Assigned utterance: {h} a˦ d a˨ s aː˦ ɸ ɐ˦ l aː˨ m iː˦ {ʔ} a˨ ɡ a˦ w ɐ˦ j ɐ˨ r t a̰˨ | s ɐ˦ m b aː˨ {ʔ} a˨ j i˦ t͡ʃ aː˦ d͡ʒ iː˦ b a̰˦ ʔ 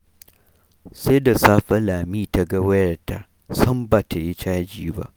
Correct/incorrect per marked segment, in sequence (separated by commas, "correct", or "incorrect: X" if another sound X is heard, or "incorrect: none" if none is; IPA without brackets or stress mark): incorrect: s, incorrect: t, incorrect: t